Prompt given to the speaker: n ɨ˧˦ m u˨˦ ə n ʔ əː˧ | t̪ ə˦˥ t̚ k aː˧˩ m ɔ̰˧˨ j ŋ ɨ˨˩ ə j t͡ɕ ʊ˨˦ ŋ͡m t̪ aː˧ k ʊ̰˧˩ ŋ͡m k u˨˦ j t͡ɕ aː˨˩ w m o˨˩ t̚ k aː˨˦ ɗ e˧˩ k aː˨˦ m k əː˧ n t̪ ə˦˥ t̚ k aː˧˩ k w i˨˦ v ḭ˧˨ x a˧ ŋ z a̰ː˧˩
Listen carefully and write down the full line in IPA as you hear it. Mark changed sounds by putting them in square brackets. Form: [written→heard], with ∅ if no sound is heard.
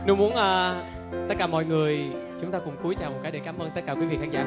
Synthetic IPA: n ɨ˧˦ m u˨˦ ə n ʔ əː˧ | t̪ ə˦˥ t̚ k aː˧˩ m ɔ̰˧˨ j ŋ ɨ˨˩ ə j t͡ɕ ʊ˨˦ ŋ͡m t̪ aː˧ k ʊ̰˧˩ ŋ͡m k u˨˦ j t͡ɕ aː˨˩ w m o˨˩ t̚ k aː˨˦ ɗ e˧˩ k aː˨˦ m [k→ʔ] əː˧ n t̪ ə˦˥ t̚ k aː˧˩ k w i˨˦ v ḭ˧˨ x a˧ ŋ z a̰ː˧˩